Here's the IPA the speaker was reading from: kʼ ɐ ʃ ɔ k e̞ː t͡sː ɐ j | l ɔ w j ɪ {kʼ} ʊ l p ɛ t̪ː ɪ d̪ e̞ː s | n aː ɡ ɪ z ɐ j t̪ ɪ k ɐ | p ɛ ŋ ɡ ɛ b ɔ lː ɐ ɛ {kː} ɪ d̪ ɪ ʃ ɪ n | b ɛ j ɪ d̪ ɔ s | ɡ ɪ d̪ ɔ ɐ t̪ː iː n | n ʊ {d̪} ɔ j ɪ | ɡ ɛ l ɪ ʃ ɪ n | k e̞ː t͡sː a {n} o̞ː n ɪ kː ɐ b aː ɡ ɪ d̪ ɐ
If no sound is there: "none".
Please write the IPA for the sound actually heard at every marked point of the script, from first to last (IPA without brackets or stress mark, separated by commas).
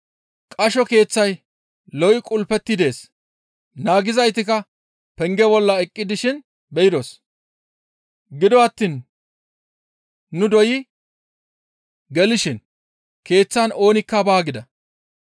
kʼ, kʼː, d̪, n